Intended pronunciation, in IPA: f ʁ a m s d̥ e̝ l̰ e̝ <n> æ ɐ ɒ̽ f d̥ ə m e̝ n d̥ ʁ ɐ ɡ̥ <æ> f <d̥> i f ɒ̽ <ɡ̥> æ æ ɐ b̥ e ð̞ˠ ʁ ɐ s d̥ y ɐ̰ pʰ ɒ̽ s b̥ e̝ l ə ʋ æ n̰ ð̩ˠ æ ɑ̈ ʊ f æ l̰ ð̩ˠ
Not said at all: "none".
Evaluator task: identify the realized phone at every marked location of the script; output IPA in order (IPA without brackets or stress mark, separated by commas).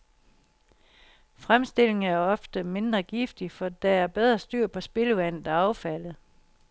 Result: ŋ, i, d̥, d̥